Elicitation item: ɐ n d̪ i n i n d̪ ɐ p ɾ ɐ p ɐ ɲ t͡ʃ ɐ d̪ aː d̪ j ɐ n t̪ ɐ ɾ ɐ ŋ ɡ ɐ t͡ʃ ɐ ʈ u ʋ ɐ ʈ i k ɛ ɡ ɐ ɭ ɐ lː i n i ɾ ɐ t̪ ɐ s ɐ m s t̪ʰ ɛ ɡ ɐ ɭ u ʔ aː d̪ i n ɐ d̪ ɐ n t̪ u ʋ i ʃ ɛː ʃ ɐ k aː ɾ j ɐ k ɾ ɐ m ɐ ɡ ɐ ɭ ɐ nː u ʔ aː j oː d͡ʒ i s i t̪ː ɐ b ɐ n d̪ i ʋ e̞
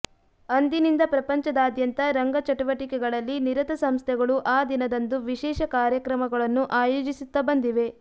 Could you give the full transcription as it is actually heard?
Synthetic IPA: ɐ n d̪ i n i n d̪ ɐ p ɾ ɐ p ɐ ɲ t͡ʃ ɐ d̪ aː d̪ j ɐ n t̪ ɐ ɾ ɐ ŋ ɡ ɐ t͡ʃ ɐ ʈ u ʋ ɐ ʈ i k ɛ ɡ ɐ ɭ ɐ lː i n i ɾ ɐ t̪ ɐ s ɐ m s t̪ʰ ɛ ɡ ɐ ɭ u ʔ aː d̪ i n ɐ d̪ ɐ n d̪ u ʋ i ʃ ɛː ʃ ɐ k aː ɾ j ɐ k ɾ ɐ m ɐ ɡ ɐ ɭ ɐ nː u ʔ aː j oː d͡ʒ i s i t̪ː ɐ b ɐ n d̪ i ʋ e̞